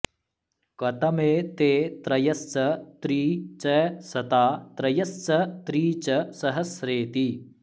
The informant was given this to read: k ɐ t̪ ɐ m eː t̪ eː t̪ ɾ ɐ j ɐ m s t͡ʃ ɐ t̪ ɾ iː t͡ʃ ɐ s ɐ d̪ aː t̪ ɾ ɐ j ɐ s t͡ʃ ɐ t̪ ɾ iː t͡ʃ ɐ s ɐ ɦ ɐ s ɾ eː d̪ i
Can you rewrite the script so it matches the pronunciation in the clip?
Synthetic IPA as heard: k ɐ t̪ ɐ m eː t̪ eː t̪ ɾ ɐ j ɐ s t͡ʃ ɐ t̪ ɾ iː t͡ʃ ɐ s ɐ t̪ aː t̪ ɾ ɐ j ɐ s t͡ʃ ɐ t̪ ɾ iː t͡ʃ ɐ s ɐ ɦ ɐ s ɾ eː t̪ i